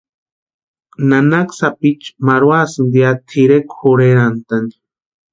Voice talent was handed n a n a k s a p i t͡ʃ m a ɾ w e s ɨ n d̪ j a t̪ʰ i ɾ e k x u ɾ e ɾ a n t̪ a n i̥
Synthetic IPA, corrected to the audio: n a n a k s a p i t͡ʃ m a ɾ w a s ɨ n d̪ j a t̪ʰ i ɾ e k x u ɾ e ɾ a n t̪ a n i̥

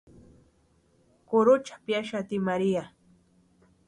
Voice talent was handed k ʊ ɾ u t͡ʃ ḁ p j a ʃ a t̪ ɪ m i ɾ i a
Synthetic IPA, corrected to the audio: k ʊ ɾ ʊ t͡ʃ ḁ p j a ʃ a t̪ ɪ m a ɾ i a

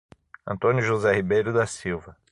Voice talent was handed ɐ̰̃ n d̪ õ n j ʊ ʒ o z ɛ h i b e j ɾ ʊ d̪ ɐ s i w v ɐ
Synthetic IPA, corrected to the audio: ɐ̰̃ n t̪ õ n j ʊ ʒ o z ɛ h i b e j ɾ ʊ d̪ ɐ s i w v ɐ

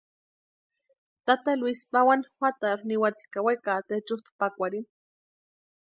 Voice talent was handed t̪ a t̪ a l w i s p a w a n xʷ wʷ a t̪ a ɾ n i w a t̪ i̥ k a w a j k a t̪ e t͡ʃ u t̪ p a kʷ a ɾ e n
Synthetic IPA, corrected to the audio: t̪ a t̪ a l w i s p a w a n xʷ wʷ a t̪ a ɾ n i w a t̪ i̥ k a w a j k a t̪ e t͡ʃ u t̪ p a kʷ a ɾ i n

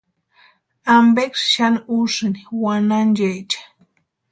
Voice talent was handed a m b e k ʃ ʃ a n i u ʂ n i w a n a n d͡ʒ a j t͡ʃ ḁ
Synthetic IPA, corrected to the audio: a m b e k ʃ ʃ a n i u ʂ n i w a n a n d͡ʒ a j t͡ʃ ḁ

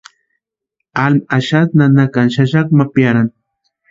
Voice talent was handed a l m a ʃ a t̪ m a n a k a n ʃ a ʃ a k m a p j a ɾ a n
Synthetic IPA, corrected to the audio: a l m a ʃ a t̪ n a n a k a n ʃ a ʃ a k m a p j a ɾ a n

